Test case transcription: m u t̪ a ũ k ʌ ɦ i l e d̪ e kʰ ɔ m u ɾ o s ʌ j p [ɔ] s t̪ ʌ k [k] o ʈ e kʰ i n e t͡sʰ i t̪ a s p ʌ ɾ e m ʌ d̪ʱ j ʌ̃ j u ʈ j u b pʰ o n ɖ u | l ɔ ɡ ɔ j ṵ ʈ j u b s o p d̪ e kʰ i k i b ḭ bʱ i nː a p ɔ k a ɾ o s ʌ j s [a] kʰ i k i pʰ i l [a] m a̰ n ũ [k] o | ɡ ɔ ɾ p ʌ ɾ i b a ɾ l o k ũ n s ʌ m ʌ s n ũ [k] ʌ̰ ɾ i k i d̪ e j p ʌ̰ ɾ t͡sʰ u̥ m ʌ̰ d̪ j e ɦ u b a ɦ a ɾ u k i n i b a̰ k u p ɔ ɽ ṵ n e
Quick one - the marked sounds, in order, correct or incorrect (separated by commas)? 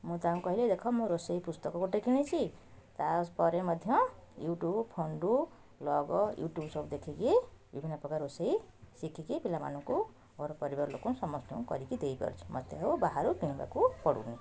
incorrect, correct, incorrect, correct, correct, correct